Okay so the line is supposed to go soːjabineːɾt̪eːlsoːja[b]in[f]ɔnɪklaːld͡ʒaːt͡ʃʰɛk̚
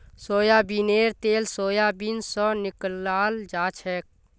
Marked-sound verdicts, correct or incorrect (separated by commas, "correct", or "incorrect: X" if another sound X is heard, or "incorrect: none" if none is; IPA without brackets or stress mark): correct, incorrect: s